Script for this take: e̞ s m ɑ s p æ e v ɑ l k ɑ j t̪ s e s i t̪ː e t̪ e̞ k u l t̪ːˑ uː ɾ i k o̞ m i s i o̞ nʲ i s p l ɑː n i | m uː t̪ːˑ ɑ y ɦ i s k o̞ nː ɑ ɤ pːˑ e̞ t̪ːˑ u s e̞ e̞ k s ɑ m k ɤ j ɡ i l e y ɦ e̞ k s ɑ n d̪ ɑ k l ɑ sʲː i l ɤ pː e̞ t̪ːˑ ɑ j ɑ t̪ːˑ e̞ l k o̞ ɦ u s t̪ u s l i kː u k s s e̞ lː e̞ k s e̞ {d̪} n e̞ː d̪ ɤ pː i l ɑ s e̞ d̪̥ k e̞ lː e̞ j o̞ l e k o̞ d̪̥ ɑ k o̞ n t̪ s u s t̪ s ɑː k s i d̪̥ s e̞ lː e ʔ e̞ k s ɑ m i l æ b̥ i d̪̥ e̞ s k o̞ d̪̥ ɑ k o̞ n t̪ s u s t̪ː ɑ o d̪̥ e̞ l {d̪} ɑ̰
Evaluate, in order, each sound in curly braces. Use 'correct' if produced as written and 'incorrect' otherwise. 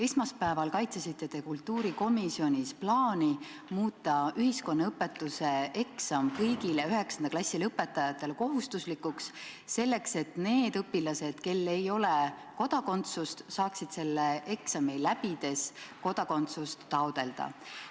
incorrect: t̪, correct

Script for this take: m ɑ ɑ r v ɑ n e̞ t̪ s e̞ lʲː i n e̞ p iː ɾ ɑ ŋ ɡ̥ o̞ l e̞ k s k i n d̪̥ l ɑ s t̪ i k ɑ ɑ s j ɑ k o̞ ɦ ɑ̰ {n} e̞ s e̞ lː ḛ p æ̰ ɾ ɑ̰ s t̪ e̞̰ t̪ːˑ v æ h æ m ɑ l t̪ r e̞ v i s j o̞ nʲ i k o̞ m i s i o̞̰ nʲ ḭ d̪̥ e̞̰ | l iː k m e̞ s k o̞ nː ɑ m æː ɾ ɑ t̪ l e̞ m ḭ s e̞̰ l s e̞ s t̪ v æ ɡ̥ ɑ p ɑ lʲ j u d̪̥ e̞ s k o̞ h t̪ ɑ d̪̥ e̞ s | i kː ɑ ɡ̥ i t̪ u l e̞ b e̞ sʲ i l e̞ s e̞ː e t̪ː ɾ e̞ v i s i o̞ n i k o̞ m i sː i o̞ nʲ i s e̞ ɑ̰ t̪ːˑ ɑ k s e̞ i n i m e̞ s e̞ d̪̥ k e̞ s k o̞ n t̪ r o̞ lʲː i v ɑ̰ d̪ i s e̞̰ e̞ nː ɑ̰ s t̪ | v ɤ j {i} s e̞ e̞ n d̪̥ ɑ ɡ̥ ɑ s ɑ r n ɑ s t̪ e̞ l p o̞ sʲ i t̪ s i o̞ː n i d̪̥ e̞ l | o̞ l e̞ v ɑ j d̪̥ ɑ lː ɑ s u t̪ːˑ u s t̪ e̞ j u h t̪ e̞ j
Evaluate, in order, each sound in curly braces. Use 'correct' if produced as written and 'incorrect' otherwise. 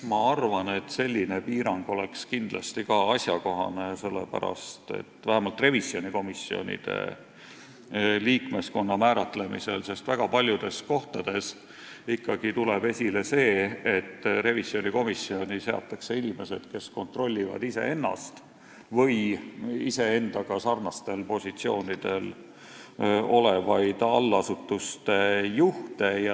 correct, correct

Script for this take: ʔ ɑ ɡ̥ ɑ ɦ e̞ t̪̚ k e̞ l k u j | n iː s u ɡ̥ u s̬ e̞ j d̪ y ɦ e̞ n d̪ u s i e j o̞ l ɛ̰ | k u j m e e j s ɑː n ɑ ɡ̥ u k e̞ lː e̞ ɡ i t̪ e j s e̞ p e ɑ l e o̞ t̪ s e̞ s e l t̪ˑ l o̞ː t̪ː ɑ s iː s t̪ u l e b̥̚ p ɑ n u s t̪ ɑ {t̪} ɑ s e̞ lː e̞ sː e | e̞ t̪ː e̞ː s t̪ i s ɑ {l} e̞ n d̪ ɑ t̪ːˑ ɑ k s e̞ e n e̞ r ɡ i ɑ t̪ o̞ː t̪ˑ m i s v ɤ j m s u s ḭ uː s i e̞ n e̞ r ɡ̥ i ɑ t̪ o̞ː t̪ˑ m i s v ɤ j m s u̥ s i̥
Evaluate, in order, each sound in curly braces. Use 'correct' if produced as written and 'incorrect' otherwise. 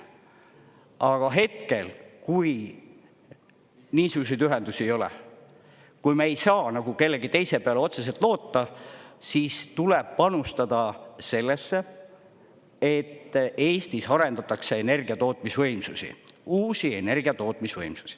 incorrect: d̪, incorrect: ɾ

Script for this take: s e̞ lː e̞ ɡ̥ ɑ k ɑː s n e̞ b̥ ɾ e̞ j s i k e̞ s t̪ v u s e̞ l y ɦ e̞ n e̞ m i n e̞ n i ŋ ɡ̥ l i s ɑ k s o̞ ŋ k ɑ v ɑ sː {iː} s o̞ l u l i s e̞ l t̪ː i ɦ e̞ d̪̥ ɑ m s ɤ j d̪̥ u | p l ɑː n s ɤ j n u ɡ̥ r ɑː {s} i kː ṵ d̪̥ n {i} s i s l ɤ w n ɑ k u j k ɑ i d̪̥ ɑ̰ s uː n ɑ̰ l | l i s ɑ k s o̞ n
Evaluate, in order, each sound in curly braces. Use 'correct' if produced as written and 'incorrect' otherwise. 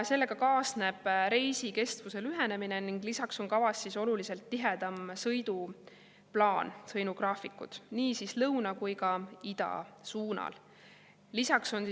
incorrect: i, incorrect: f, incorrect: iː

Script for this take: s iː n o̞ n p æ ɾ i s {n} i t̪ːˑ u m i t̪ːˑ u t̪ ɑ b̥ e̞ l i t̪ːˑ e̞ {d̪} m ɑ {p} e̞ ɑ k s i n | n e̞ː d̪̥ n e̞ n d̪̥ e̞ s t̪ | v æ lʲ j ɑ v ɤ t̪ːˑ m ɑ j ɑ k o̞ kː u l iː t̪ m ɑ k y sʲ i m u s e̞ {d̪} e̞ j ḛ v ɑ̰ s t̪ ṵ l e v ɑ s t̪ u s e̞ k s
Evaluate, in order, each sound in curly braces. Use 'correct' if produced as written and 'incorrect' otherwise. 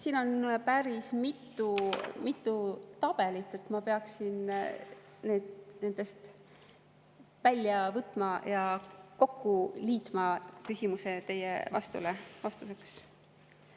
incorrect: m, incorrect: t̪, correct, incorrect: t̪

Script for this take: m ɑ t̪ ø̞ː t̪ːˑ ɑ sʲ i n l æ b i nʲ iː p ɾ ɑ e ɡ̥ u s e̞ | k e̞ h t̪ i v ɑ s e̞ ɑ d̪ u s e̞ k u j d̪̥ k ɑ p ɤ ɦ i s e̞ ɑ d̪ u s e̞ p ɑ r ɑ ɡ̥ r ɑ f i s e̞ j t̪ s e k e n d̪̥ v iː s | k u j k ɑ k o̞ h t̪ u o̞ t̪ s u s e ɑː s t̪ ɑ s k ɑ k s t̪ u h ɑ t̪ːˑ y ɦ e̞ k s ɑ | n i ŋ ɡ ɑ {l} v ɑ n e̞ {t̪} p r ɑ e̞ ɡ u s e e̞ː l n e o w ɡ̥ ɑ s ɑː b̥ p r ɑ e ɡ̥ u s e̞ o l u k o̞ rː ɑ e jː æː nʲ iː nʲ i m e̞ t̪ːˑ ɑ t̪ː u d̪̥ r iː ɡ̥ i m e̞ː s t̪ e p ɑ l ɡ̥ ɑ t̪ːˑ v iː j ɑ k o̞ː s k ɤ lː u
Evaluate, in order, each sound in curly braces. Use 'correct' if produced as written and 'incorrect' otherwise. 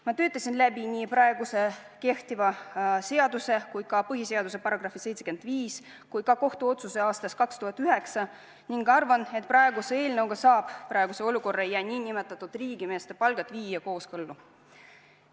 incorrect: r, correct

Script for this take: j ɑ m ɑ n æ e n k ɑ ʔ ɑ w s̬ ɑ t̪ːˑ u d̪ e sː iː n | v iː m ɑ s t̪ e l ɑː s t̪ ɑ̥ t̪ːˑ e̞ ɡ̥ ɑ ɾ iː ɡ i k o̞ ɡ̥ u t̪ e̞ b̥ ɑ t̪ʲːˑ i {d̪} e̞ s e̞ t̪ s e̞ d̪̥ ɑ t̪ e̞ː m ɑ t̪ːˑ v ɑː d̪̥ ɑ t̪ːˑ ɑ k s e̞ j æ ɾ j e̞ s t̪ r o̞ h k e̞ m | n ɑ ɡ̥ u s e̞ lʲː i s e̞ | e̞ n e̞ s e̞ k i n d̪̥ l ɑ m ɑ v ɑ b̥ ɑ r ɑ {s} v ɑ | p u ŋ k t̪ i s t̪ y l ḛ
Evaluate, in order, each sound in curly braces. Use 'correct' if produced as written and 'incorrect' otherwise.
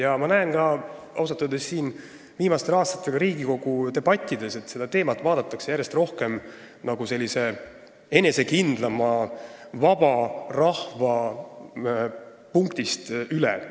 correct, incorrect: h

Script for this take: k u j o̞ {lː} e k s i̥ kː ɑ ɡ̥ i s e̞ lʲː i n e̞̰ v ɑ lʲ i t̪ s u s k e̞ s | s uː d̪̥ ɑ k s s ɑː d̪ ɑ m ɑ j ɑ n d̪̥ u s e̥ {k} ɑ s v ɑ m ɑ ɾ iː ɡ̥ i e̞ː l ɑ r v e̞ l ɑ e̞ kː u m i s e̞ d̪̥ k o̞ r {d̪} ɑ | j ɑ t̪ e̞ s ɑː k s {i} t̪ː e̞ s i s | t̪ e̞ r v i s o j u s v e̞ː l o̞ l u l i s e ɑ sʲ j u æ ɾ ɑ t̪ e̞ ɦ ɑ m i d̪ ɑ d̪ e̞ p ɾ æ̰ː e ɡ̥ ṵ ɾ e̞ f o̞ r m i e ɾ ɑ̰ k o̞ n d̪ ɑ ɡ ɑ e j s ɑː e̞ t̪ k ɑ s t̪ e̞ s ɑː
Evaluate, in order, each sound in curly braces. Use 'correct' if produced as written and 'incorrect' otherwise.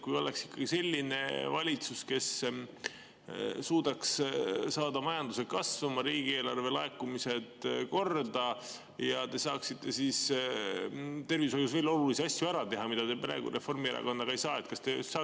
incorrect: l, correct, correct, correct

